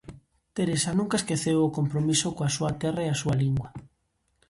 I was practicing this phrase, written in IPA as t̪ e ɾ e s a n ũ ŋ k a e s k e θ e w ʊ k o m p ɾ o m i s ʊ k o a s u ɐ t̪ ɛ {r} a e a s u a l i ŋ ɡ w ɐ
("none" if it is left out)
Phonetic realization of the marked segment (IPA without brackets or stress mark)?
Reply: r